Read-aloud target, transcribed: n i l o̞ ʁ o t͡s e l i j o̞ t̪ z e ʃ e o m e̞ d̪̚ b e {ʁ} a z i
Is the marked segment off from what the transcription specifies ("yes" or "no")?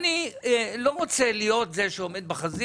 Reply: yes